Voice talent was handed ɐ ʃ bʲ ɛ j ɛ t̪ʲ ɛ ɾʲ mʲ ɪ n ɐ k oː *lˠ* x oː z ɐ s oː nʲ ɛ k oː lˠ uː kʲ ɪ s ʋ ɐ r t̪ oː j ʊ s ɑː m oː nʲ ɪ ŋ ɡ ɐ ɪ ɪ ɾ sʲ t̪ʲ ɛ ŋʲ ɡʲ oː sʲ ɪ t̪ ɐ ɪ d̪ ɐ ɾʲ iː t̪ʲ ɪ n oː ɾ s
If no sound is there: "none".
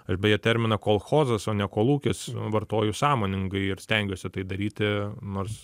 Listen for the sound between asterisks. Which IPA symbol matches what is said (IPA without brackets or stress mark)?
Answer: lˠ